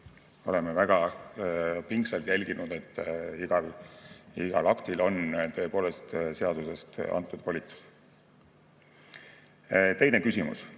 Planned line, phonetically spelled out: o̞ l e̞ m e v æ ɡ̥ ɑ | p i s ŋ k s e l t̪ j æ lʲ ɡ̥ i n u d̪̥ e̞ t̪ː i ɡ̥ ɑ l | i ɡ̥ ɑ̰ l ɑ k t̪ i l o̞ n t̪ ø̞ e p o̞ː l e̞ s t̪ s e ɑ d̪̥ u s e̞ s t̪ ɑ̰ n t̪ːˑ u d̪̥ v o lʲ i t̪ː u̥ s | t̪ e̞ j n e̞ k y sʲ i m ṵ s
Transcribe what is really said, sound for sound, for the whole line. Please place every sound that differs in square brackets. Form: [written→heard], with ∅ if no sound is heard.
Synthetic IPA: o̞ l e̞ m e v æ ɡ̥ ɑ | p i [s→∅] ŋ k s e l t̪ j æ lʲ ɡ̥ i n u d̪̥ e̞ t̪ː i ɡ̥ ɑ l | i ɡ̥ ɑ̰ l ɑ k t̪ i l o̞ n t̪ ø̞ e p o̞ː l e̞ s t̪ s e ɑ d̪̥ u s e̞ s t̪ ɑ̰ n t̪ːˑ u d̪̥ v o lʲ i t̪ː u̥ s | t̪ e̞ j n e̞ k y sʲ i m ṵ s